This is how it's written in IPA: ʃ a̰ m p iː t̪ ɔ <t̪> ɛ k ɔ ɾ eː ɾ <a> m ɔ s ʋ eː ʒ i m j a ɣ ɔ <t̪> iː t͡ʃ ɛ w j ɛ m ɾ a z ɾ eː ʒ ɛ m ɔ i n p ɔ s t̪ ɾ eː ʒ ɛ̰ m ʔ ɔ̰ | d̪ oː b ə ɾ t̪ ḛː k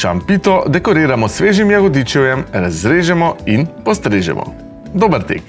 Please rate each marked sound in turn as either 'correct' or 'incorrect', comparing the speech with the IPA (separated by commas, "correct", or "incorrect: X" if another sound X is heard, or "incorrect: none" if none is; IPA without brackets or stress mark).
incorrect: d̪, correct, incorrect: d̪